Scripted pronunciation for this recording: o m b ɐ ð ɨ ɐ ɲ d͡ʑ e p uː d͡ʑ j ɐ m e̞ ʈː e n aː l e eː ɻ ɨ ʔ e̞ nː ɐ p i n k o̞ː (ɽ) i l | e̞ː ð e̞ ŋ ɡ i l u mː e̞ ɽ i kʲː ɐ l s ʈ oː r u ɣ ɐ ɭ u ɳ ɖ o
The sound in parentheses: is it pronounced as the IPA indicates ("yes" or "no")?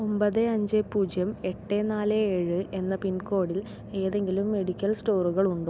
yes